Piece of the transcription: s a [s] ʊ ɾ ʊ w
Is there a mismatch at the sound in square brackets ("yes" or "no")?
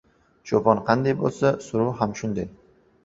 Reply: no